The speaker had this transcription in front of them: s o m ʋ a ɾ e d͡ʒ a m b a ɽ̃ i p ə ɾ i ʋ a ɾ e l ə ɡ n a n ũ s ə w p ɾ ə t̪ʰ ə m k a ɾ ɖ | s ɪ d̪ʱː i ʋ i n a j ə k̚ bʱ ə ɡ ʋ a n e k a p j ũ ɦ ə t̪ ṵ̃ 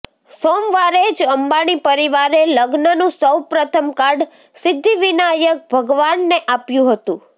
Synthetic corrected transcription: s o m ʋ a ɾ e d͡ʒ ə m b a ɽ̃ i p ə ɾ i ʋ a ɾ e l ə ɡ n ə n ũ s ə w p ɾ ə t̪ʰ ə m k a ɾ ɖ | s ɪ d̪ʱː i ʋ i n a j ə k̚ bʱ ə ɡ ʋ a nː e ʔ a p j ũ ɦ ə t̪ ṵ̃